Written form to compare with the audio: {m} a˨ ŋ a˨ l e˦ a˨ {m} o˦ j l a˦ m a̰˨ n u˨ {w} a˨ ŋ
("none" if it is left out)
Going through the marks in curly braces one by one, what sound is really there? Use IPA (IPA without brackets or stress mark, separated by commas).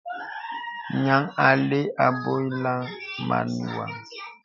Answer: ɲ, b, w